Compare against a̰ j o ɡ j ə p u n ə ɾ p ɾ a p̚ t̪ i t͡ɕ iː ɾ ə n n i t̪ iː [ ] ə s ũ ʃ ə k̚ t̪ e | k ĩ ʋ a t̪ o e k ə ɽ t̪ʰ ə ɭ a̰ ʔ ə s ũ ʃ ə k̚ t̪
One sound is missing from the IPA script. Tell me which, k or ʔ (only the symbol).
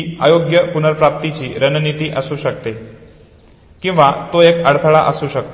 ʔ